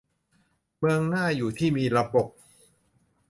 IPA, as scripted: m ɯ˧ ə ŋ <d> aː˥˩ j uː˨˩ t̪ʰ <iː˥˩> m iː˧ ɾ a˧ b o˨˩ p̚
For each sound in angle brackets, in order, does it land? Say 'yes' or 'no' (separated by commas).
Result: no, yes